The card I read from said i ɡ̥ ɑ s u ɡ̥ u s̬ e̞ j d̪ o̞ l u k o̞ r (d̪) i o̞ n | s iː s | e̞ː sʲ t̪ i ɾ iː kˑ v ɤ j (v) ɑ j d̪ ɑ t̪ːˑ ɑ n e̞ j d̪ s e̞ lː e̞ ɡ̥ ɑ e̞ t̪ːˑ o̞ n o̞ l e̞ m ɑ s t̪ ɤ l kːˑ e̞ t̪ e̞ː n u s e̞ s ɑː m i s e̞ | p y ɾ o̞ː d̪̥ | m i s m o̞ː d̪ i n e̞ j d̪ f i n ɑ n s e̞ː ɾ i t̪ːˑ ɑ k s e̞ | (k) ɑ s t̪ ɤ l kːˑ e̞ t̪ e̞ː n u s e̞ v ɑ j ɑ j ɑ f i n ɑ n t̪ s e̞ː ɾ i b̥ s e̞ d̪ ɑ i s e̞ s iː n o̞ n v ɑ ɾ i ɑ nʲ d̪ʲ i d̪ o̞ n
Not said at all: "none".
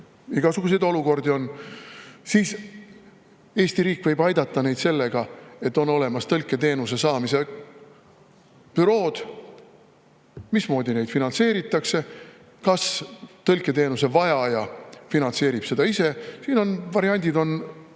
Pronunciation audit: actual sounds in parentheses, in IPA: d̪, b, k

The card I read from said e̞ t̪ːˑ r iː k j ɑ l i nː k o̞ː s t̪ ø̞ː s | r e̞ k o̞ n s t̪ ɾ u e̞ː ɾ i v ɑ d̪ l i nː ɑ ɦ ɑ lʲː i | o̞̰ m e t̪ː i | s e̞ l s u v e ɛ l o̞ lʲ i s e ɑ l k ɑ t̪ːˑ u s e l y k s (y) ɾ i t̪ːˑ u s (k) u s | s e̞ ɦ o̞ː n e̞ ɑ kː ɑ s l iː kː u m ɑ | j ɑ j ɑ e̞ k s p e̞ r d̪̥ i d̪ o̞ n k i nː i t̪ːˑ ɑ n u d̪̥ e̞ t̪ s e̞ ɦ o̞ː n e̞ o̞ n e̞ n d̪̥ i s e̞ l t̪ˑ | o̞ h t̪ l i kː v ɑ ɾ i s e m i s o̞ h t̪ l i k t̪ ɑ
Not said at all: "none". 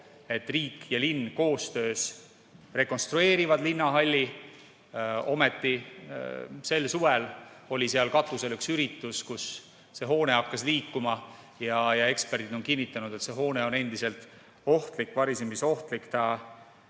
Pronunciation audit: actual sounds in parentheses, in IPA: y, k

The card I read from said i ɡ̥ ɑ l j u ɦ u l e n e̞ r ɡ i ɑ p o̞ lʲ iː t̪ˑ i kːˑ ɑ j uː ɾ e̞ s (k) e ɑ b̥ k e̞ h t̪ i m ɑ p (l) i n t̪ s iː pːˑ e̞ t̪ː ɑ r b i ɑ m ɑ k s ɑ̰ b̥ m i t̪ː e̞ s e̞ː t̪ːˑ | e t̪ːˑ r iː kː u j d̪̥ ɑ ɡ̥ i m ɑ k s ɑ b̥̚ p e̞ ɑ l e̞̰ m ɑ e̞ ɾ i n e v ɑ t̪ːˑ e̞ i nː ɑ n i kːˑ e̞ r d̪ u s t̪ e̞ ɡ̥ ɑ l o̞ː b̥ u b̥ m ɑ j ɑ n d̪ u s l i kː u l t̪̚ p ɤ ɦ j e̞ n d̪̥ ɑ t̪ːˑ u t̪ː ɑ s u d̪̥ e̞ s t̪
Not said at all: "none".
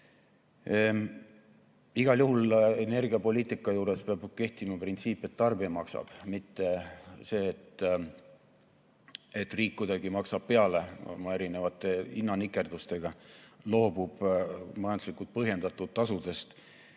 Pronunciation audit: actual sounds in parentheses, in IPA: p, r

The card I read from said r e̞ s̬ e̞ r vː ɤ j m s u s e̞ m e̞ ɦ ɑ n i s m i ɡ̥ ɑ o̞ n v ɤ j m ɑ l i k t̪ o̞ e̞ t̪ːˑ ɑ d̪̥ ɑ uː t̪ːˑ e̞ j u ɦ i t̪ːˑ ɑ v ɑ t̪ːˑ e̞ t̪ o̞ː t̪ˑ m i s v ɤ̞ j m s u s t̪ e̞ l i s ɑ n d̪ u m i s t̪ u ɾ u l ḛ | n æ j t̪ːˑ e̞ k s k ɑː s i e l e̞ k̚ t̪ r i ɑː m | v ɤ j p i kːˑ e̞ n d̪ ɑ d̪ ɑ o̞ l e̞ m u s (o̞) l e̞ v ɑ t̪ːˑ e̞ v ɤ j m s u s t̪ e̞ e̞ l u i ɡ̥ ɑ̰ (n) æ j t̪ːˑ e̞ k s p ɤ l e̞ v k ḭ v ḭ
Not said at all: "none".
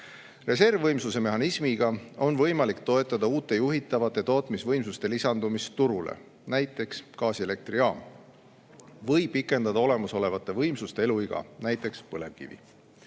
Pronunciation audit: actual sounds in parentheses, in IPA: o̞, n

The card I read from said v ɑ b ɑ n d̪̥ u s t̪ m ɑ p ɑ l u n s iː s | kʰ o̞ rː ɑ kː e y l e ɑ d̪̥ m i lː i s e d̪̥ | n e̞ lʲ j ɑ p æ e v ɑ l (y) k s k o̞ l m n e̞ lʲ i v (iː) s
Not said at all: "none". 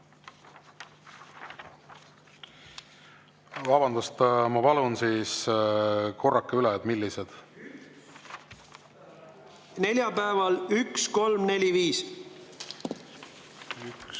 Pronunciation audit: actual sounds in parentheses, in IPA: y, iː

